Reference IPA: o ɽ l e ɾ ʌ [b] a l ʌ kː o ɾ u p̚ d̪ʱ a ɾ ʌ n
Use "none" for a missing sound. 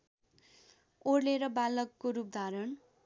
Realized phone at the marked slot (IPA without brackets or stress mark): b